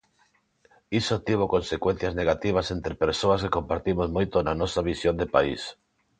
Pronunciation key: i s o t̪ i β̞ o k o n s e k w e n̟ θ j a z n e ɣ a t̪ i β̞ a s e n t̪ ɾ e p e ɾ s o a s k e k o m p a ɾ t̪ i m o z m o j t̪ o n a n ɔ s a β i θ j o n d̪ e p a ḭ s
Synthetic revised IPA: i s o t̪ i β̞ o k o n s e k w e n̟ θ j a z n e ɣ a t̪ i β̞ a s e n t̪ ɾ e p e ɾ s o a s k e k o m p a ɾ t̪ i m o z m o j t̪ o n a n ɔ s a β i s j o n d̪ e p a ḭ s